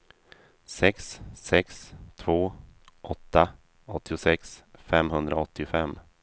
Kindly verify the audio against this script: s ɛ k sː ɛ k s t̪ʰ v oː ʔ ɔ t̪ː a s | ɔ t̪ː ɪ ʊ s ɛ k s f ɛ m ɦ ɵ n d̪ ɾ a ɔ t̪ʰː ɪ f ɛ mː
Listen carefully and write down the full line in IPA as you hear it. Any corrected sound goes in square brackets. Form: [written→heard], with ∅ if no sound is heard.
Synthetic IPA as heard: s ɛ k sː ɛ k s t̪ʰ v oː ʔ ɔ t̪ː a [s→∅] | ɔ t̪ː ɪ ʊ s ɛ k s f ɛ m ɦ ɵ n d̪ ɾ a ɔ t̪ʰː ɪ f ɛ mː

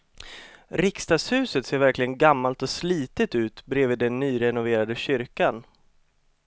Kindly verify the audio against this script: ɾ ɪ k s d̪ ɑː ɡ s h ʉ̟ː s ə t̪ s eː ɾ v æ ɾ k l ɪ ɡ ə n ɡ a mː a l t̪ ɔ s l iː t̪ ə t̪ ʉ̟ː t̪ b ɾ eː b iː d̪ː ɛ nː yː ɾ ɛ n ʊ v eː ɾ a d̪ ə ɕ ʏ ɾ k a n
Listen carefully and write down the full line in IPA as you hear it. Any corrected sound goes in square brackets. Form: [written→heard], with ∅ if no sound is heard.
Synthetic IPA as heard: ɾ ɪ k s [d̪→t̪] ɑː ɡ s h ʉ̟ː s ə t̪ s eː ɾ v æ ɾ k l ɪ ɡ ə n ɡ a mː a l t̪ ɔ s l iː t̪ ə t̪ ʉ̟ː t̪ b ɾ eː [b→v] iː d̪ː ɛ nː yː ɾ ɛ n ʊ v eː ɾ a d̪ ə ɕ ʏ ɾ k a n

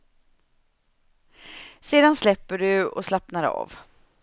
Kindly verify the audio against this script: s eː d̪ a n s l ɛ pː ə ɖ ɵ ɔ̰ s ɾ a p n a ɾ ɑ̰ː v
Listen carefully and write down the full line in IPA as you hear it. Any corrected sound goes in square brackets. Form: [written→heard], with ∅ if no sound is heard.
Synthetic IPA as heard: s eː d̪ a n s l ɛ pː ə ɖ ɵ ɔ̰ s [ɾ→l] a p n a ɾ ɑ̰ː v

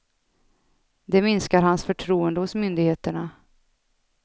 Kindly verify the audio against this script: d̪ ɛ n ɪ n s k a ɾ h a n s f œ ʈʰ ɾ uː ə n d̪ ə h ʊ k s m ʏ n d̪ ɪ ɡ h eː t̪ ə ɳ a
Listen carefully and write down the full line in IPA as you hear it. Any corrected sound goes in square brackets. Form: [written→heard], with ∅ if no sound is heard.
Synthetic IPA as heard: d̪ ɛ [n→m] ɪ n s k a ɾ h a n s f œ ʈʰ ɾ uː ə n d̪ ə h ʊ [k→∅] s m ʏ n d̪ ɪ ɡ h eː t̪ ə ɳ a

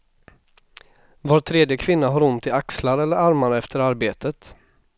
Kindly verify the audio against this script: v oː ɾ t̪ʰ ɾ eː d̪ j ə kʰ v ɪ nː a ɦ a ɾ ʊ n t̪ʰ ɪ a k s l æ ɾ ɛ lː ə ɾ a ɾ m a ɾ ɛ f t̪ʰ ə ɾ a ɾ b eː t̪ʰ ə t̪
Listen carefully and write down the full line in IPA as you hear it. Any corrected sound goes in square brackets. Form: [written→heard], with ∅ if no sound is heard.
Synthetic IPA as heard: v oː ɾ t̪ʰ ɾ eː d̪ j ə kʰ v ɪ nː a ɦ a ɾ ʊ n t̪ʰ ɪ a k s l [æ→a] ɾ ɛ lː ə ɾ a ɾ m a ɾ ɛ f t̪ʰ ə ɾ a ɾ b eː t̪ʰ ə t̪

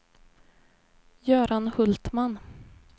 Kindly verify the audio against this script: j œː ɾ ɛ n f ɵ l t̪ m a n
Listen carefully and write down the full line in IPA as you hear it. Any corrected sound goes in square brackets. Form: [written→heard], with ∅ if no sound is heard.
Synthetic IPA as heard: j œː ɾ [ɛ→a] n [f→h] ɵ l t̪ m a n

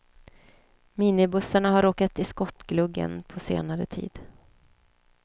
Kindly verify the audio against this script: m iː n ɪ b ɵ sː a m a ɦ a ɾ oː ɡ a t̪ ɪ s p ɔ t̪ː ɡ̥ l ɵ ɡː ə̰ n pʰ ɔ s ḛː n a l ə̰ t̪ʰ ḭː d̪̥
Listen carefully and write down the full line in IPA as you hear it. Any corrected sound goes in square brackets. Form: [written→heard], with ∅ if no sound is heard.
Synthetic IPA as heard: m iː n ɪ b ɵ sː a [m→ɳ] a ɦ a ɾ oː [ɡ→k] a t̪ ɪ s [p→k] ɔ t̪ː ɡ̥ l ɵ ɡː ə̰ n pʰ ɔ s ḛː n a [l→ɾ] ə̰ t̪ʰ ḭː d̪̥

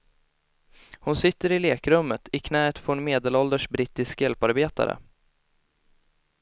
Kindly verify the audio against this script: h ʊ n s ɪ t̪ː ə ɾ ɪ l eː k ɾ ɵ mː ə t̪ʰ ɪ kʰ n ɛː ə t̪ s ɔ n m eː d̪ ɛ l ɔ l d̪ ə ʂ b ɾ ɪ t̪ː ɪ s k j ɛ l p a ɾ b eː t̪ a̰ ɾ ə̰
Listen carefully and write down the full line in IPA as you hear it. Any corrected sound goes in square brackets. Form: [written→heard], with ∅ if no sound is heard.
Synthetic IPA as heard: h ʊ n s ɪ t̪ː ə ɾ ɪ l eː k ɾ ɵ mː ə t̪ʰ ɪ kʰ n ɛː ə t̪ [s→f] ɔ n m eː d̪ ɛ l ɔ l d̪ ə ʂ b ɾ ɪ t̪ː ɪ s k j ɛ l p a ɾ b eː t̪ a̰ ɾ ə̰

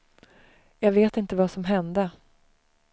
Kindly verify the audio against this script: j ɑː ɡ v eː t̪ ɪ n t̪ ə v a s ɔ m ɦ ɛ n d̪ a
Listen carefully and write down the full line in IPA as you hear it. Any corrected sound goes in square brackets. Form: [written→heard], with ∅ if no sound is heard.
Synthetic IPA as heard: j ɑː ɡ v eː t̪ ɪ n t̪ ə v a s ɔ m ɦ ɛ n d̪ [a→ə]

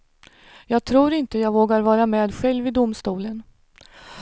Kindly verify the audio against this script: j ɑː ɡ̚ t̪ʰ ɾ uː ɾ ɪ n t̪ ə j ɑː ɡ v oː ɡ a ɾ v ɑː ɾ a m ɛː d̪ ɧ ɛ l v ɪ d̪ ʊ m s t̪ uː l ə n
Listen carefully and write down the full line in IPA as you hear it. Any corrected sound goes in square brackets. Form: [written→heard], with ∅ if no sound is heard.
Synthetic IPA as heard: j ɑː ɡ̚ t̪ʰ ɾ uː ɾ ɪ n t̪ ə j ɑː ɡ v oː ɡ a ɾ v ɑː ɾ a m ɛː d̪ ɧ ɛ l v ɪ d̪ ʊ m s t̪ uː l ə n

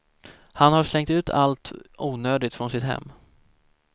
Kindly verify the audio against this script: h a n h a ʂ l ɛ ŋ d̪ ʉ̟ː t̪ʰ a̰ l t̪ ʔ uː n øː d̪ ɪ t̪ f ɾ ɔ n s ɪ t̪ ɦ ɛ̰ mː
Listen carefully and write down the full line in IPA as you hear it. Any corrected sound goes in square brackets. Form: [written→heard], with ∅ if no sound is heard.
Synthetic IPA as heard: h a n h a ʂ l ɛ ŋ [d̪→t̪] ʉ̟ː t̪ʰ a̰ l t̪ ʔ uː n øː d̪ ɪ t̪ f ɾ ɔ n s ɪ t̪ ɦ ɛ̰ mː

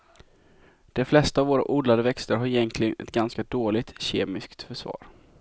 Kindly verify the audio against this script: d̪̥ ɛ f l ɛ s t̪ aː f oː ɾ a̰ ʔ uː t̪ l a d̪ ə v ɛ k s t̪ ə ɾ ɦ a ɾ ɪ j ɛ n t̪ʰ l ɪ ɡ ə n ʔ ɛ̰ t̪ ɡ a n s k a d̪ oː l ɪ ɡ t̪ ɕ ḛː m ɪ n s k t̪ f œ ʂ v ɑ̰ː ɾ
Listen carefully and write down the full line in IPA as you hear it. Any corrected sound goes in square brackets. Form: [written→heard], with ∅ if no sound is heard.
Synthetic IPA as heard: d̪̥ ɛ f l ɛ s t̪ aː [f→v] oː ɾ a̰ ʔ uː [t̪→d̪] l a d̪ ə v ɛ k s t̪ ə ɾ ɦ a ɾ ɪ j ɛ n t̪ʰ l ɪ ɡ ə n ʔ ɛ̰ t̪ ɡ a n s k a d̪ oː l ɪ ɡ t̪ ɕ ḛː m ɪ [n→∅] s k t̪ f œ ʂ v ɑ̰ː ɾ

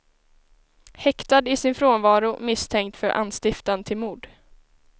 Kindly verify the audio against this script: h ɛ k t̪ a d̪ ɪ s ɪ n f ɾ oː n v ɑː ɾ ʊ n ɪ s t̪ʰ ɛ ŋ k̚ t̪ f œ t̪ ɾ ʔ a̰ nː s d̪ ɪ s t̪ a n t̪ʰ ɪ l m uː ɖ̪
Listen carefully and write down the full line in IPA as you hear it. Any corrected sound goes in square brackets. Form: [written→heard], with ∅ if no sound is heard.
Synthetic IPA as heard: h ɛ k t̪ a d̪ ɪ s ɪ n f ɾ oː n v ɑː ɾ ʊ [n→m] ɪ s t̪ʰ ɛ ŋ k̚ t̪ f œ [t̪→∅] ɾ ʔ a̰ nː s [d̪→t̪] ɪ [s→f] t̪ a n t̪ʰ ɪ l m uː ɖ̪

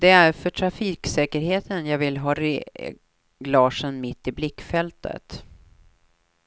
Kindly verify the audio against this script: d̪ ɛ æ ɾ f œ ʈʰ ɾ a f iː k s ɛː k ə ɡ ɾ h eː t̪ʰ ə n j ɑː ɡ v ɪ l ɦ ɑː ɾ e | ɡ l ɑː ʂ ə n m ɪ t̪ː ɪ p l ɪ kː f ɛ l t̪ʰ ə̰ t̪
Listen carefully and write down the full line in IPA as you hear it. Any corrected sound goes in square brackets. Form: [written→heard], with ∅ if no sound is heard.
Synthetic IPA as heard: d̪ ɛ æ ɾ f œ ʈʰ ɾ a f iː k s ɛː k ə [ɡ→∅] ɾ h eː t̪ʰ ə n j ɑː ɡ v ɪ l ɦ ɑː ɾ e | ɡ l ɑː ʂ ə n m ɪ t̪ː ɪ [p→b] l ɪ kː f ɛ l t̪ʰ ə̰ t̪

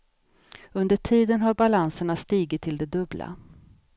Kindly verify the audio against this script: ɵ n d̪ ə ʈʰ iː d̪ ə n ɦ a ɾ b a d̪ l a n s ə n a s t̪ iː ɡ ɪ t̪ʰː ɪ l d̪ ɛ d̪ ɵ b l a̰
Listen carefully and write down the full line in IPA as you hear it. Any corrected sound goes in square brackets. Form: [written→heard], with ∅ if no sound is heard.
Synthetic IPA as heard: ɵ n d̪ ə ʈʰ iː d̪ ə n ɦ a ɾ b a [d̪→∅] l a n s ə [n→ɳ] a s t̪ iː ɡ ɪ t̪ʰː ɪ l d̪ ɛ d̪ ɵ b l a̰

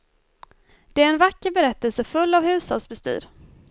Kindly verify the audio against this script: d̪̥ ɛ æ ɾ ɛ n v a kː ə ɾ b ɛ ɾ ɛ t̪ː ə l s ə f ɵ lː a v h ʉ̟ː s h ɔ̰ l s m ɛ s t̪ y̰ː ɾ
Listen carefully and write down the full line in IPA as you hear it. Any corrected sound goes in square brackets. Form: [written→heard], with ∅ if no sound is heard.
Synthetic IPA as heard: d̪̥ ɛ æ ɾ ɛ n v a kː ə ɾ b ɛ ɾ ɛ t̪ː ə l s ə f ɵ lː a v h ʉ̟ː s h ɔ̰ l s [m→b] ɛ s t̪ y̰ː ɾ

